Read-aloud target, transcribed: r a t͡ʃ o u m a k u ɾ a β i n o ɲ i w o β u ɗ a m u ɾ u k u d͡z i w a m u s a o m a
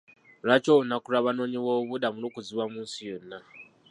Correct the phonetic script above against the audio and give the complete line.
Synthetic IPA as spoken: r a t͡ʃ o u n a k u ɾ a β a n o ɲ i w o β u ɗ a m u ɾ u k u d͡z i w a m u s i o n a